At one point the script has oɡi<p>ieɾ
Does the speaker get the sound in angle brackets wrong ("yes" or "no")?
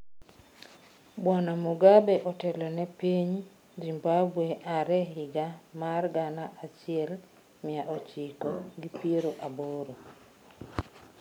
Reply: no